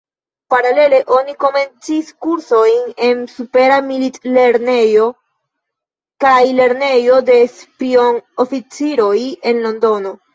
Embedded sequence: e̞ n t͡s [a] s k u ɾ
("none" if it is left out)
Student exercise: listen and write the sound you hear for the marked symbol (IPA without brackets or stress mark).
i